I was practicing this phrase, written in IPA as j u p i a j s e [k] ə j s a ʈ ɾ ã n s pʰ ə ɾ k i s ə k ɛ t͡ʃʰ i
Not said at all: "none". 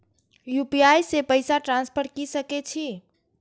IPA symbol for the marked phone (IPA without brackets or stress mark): p